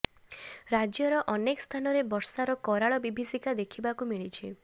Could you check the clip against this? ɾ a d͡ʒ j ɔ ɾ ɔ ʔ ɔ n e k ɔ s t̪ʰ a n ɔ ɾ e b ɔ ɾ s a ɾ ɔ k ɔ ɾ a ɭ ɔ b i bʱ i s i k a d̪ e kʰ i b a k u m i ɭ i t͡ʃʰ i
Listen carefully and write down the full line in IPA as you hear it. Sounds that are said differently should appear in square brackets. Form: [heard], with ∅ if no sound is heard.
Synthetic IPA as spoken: ɾ a d͡ʒ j ɔ ɾ ɔ ʔ ɔ n e k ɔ s t̪ʰ a n ɔ ɾ e b ɔ ɾ s a ɾ ɔ k ɔ ɾ a ɭ ɔ b i bʱ i s i k a d̪ e kʰ i b a k u m i ɭ i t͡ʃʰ i